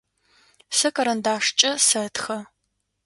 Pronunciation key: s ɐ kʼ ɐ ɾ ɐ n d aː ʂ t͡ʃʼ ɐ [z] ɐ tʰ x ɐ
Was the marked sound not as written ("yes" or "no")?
yes